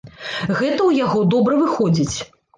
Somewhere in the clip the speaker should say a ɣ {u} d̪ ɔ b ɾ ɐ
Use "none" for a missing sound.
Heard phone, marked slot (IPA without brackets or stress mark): ɔ